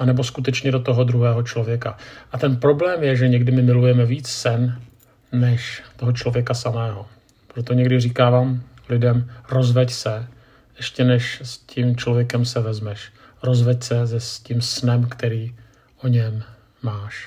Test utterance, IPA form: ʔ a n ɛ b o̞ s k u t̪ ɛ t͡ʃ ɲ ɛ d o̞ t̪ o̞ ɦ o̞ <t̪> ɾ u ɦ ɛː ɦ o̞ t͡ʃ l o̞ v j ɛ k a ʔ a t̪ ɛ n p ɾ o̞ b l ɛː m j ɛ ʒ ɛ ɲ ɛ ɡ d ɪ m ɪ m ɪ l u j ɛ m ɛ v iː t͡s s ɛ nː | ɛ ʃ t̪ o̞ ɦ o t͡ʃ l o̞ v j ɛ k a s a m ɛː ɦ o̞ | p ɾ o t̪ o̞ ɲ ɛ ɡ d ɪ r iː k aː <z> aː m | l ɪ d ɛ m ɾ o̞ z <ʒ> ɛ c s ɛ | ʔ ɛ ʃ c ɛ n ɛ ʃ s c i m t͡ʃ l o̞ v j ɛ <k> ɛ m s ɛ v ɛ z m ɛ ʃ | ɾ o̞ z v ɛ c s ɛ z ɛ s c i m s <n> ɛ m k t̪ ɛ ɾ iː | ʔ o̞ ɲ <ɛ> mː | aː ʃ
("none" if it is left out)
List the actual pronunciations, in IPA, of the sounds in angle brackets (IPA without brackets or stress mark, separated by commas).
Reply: d̪, v, v, k, n, ɛ